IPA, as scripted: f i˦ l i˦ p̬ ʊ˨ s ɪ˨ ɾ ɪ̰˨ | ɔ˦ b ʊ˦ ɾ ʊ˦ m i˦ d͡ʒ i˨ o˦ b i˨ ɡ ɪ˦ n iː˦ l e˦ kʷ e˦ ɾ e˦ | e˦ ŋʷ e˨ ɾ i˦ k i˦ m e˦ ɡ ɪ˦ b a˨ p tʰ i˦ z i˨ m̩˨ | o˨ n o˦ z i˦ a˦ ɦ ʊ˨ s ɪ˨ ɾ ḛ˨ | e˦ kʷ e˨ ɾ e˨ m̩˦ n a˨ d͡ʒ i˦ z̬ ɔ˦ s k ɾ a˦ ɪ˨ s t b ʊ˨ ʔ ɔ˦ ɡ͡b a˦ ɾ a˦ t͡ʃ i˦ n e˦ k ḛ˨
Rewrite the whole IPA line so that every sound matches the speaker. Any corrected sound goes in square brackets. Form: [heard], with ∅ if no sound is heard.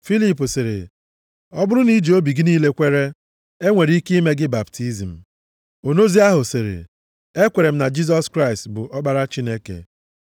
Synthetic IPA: f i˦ l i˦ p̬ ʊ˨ s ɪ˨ ɾ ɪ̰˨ | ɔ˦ b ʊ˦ ɾ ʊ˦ [n] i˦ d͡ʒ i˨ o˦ b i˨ ɡ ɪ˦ n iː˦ l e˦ kʷ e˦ ɾ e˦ | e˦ ŋʷ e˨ ɾ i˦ k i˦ m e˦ ɡ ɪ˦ b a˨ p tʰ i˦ z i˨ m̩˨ | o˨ n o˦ z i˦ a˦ ɦ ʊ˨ s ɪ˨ ɾ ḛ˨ | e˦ kʷ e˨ ɾ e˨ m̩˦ n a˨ d͡ʒ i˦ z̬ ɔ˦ s k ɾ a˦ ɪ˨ s t b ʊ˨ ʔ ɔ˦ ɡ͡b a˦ ɾ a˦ t͡ʃ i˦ n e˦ k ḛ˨